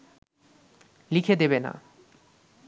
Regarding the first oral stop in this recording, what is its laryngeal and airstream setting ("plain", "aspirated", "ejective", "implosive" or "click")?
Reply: aspirated